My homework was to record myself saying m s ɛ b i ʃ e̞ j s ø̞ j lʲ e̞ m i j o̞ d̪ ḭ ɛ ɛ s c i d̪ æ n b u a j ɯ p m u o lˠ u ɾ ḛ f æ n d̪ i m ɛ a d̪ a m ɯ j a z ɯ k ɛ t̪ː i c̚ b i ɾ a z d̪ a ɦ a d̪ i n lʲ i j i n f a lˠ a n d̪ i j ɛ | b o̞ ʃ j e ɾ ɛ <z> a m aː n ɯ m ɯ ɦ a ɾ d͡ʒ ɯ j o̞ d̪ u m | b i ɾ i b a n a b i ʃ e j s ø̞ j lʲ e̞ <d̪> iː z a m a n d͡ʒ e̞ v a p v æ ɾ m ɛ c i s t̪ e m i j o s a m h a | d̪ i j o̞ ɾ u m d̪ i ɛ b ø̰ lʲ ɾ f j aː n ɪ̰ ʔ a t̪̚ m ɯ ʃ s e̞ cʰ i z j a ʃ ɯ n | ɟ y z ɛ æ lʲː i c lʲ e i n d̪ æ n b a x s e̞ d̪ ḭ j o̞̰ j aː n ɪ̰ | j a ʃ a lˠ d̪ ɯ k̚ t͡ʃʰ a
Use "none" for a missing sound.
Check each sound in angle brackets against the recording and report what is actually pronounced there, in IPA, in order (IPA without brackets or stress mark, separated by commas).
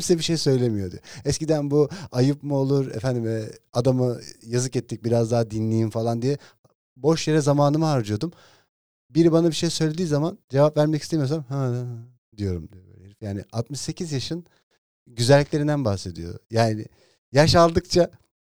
z, d̪